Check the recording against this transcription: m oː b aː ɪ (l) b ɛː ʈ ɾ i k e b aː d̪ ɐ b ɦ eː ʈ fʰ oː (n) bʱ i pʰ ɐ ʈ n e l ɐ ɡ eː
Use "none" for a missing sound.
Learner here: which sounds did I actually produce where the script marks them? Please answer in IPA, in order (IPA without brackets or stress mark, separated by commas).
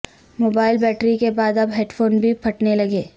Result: l, n